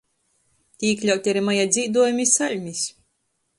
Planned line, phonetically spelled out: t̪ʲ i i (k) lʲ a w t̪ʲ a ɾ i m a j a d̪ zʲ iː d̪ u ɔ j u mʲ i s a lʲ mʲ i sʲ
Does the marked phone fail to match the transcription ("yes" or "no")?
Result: no